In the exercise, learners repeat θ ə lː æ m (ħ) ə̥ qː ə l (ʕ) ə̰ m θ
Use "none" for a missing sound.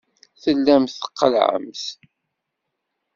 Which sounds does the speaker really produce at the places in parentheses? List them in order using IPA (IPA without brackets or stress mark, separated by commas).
θ, ʕ